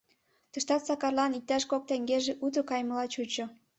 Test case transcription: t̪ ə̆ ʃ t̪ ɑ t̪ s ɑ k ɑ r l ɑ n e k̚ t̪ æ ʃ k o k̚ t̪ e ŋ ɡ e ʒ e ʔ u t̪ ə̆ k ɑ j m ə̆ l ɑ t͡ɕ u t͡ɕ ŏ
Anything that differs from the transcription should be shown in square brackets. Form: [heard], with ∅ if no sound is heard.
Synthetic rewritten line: t̪ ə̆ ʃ t̪ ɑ t̪ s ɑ k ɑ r l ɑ n [i] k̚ t̪ æ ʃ k o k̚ t̪ e ŋ ɡ e ʒ e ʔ u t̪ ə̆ k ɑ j m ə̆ l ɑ t͡ɕ u t͡ɕ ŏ